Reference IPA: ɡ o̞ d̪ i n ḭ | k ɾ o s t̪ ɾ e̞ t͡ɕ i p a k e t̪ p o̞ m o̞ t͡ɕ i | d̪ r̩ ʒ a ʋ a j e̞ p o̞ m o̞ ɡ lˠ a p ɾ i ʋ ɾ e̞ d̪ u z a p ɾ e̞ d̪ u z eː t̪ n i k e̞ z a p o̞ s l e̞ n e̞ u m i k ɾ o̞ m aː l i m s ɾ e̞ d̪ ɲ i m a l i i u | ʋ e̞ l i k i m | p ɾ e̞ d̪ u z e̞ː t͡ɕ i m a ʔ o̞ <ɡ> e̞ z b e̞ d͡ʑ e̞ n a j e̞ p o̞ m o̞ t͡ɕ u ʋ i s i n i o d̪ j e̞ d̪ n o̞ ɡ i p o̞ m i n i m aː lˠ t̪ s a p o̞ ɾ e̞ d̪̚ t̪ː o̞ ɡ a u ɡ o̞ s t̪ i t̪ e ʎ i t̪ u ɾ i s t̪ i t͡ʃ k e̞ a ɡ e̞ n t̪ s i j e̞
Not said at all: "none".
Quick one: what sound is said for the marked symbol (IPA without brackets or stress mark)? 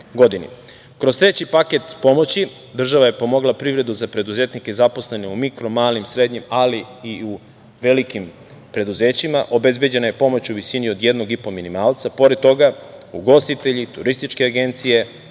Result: b